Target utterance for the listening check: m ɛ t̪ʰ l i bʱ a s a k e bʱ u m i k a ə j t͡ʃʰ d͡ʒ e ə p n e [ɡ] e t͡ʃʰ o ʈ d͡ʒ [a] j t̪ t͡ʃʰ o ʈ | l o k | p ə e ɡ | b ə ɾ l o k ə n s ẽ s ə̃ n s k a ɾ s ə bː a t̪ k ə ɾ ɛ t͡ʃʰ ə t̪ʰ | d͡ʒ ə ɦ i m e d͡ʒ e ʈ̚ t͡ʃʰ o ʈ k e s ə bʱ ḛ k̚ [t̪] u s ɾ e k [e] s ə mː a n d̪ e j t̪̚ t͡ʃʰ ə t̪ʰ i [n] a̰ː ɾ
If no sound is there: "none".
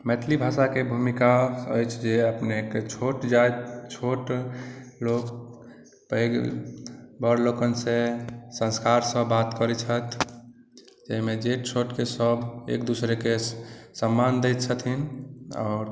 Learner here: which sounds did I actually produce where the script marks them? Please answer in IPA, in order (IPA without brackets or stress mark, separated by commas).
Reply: k, a, d̪, e, n